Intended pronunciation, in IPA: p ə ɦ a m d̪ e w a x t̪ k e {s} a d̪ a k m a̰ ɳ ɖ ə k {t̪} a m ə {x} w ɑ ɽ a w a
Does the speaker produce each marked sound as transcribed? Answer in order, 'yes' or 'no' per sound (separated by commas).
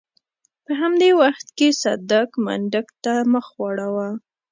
yes, yes, yes